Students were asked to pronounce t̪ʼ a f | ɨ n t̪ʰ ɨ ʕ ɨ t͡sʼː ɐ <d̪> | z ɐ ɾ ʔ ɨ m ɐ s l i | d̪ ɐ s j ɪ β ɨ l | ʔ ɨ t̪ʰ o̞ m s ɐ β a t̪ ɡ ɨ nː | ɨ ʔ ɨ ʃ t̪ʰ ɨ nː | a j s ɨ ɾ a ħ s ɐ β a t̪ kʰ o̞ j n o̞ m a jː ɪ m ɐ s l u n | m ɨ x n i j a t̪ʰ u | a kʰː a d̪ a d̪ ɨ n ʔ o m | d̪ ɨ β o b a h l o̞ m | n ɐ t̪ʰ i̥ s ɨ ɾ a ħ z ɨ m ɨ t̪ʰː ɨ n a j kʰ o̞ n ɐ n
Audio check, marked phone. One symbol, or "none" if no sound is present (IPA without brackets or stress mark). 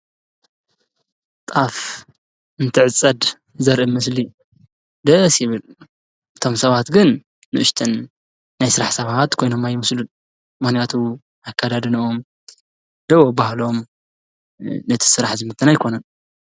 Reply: d̪